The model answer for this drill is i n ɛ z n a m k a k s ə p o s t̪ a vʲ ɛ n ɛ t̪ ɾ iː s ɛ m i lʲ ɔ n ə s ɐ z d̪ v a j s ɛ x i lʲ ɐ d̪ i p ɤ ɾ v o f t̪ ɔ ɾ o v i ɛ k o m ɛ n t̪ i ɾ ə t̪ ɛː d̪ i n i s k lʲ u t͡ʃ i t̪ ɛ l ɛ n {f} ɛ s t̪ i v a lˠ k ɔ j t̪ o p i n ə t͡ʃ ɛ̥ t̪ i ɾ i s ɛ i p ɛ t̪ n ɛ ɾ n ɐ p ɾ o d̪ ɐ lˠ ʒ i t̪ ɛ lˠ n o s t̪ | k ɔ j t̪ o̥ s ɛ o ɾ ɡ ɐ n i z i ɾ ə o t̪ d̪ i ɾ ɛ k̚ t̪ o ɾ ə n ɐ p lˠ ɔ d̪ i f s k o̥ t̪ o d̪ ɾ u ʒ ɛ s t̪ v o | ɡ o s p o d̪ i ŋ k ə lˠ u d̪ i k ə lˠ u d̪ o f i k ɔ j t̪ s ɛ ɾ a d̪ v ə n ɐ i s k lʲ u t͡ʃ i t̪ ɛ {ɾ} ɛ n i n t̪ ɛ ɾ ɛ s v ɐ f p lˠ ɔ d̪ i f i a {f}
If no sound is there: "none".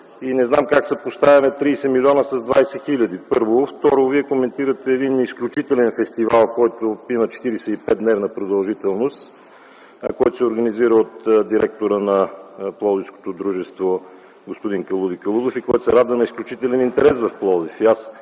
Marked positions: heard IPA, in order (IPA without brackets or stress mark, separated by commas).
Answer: f, l, s